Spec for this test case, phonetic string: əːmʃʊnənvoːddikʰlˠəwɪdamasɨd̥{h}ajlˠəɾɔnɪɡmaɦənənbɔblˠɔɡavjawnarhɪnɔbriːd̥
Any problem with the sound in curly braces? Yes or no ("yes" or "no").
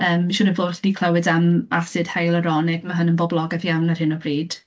no